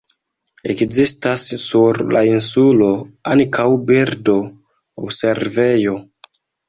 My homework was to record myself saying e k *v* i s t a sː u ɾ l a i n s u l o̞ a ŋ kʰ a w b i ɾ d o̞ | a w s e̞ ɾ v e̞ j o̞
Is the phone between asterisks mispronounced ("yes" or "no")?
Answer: yes